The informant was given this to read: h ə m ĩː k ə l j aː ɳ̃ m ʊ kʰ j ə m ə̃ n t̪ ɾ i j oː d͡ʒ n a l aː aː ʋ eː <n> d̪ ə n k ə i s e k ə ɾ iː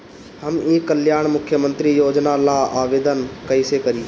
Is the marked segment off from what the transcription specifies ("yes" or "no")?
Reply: yes